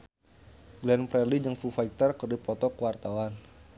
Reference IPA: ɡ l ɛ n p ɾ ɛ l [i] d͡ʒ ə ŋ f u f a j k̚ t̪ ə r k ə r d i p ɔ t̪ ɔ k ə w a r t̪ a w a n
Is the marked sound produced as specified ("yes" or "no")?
yes